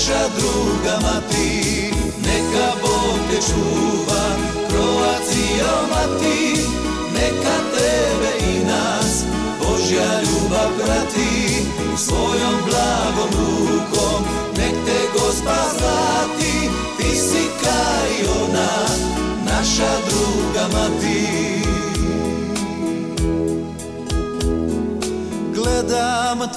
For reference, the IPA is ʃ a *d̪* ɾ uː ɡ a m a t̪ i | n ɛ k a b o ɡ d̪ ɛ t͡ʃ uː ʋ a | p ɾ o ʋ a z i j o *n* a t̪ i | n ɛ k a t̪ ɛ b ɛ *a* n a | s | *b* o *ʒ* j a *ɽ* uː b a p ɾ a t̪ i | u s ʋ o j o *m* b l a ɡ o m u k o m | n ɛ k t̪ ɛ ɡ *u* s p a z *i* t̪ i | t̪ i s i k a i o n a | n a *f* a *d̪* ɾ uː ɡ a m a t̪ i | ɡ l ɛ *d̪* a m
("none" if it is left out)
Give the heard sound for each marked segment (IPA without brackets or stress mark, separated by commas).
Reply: d̪, m, i, b, ʒ, ʎ, m, o, a, ʃ, d̪, d̪